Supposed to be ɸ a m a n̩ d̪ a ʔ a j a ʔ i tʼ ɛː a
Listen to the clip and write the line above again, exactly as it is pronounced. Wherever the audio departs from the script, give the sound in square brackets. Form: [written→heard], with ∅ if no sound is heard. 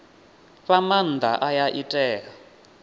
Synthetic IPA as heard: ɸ a m a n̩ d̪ a ʔ a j a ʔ i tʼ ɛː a